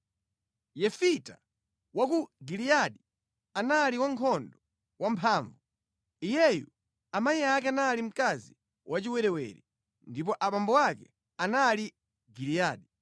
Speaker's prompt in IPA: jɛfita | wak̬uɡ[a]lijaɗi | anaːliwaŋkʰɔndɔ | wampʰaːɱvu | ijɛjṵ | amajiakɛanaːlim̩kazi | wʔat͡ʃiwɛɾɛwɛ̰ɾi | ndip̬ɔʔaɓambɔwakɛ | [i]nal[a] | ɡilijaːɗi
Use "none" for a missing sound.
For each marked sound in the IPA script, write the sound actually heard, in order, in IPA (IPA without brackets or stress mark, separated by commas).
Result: i, a, i